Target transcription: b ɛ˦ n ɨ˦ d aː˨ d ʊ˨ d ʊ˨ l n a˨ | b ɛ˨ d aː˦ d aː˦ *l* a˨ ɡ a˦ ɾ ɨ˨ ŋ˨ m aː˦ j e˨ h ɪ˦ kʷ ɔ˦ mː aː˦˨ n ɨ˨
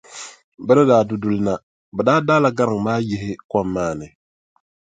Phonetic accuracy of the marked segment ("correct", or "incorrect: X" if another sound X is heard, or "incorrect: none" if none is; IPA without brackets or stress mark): correct